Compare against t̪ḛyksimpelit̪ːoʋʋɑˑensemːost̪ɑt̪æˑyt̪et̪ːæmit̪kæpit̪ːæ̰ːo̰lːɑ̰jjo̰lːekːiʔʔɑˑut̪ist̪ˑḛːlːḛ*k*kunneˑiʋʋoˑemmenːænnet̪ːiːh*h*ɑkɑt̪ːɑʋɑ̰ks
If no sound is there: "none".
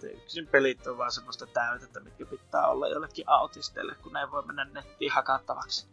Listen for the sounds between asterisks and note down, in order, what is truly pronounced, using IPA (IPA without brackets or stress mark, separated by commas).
k, h